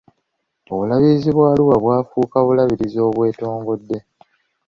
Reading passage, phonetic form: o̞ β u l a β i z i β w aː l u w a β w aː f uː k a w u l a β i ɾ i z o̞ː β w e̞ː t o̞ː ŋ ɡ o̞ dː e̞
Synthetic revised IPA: o̞ β u l a β i z i β w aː l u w a β w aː f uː k a β u l a β i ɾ i z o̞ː β w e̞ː t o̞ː ŋ ɡ o̞ dː e̞